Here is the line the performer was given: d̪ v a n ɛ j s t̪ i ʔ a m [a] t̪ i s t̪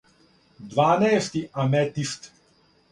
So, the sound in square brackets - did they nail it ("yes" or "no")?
no